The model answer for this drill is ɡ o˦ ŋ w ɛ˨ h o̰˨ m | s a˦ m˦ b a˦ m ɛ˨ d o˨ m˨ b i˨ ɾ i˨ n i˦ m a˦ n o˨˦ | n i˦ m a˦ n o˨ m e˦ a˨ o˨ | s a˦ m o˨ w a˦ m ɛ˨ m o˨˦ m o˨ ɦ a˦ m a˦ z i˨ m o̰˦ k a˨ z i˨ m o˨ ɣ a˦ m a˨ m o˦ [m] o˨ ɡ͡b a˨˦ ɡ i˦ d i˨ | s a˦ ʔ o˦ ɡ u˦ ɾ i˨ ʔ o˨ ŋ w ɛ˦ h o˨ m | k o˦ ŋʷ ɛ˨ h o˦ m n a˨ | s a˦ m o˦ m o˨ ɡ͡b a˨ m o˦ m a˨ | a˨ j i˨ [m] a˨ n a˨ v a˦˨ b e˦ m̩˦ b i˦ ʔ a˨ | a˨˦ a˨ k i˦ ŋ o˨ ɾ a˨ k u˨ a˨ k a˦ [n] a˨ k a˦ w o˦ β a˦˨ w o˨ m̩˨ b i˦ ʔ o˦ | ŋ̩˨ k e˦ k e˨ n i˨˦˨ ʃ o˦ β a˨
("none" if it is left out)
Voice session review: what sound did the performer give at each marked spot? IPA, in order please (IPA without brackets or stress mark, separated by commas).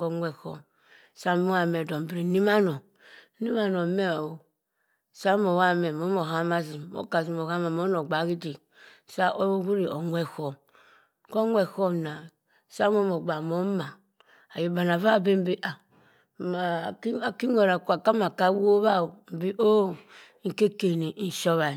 n, b, m